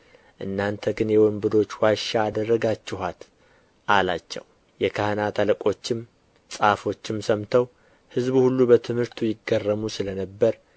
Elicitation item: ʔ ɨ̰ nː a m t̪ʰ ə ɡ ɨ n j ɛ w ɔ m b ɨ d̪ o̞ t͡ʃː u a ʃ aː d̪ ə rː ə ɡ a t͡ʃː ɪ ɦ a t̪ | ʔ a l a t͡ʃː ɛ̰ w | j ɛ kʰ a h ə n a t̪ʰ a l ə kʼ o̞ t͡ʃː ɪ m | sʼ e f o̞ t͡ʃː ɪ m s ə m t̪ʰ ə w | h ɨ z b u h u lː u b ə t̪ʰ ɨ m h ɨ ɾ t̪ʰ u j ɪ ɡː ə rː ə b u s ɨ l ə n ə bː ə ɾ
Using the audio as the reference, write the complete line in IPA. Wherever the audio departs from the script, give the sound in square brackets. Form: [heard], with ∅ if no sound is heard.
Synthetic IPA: ʔ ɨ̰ nː a [n] t̪ʰ ə ɡ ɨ n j ɛ w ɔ m b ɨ d̪ o̞ t͡ʃː [w] a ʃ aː d̪ ə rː ə ɡ a t͡ʃː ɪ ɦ a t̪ | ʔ a l a t͡ʃː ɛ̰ w | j ɛ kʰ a h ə n a t̪ʰ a l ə kʼ o̞ t͡ʃː ɪ m | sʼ [a] f o̞ t͡ʃː ɪ m s ə m t̪ʰ ə w | h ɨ z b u h u lː u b ə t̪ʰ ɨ m h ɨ ɾ t̪ʰ u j ɪ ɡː ə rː ə [m] u s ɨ l ə n ə bː ə ɾ